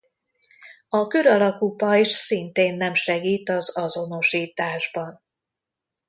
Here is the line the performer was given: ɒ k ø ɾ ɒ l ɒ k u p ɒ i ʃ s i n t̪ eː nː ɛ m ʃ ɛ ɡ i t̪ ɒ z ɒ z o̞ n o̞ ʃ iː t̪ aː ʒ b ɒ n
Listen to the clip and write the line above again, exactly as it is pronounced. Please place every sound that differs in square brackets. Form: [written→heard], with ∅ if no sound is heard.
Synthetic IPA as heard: ɒ k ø ɾ ɒ l ɒ k u p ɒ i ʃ s i n t̪ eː nː ɛ m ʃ ɛ ɡ [i→iː] t̪ ɒ z ɒ z o̞ n o̞ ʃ iː t̪ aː ʒ b ɒ n